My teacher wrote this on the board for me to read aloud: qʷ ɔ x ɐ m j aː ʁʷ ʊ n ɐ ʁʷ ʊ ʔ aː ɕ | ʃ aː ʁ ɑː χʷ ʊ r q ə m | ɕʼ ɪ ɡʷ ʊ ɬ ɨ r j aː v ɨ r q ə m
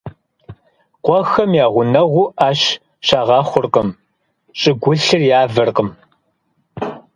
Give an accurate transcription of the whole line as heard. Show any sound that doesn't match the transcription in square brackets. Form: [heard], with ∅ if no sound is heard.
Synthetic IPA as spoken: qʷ ɔ x ɐ m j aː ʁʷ ʊ n ɐ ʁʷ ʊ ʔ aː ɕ | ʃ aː ʁ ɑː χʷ ʊ r q ə m | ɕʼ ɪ ɡʷ ʊ ɬ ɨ r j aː v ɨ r q ə m